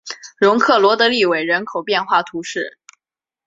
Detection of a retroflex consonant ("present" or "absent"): present